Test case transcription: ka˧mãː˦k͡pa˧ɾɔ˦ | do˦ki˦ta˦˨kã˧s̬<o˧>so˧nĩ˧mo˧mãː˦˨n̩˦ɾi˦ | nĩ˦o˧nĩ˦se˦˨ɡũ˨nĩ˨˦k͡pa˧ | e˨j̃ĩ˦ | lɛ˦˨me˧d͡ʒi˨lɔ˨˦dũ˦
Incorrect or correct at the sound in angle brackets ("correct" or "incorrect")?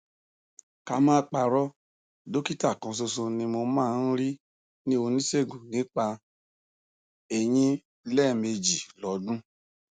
correct